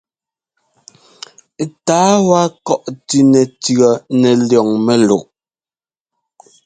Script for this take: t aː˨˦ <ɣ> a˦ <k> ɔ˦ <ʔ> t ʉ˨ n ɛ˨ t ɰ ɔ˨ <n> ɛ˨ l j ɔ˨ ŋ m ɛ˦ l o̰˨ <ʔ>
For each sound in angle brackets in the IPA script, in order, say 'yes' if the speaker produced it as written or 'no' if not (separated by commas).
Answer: no, yes, yes, yes, yes